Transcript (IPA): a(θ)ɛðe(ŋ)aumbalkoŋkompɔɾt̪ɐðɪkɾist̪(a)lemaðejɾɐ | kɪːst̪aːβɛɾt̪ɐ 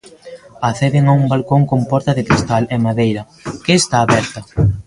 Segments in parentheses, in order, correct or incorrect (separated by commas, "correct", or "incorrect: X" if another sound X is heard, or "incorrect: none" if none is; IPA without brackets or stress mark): correct, correct, correct